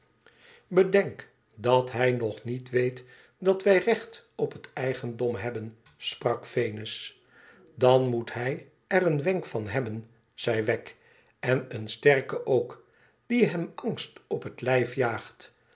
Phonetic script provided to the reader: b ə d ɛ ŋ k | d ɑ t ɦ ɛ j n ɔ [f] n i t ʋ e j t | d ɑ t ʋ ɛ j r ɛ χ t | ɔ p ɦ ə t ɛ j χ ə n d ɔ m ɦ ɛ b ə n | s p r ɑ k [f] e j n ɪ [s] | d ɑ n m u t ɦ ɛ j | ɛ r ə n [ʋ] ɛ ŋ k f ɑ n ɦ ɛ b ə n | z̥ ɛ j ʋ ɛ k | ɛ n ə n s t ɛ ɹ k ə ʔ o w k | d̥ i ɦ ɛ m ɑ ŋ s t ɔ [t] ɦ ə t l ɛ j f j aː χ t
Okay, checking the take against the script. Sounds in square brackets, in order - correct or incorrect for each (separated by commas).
incorrect, correct, correct, correct, incorrect